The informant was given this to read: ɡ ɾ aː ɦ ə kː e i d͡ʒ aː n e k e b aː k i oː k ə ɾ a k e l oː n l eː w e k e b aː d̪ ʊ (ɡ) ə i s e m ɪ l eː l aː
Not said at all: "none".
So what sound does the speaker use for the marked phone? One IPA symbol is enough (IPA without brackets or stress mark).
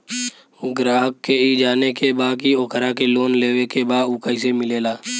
k